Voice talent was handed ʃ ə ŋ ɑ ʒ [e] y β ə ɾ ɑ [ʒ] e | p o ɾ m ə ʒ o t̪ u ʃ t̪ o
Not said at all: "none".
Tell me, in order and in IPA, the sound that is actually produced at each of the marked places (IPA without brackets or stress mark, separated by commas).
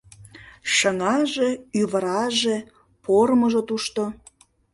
e, ʒ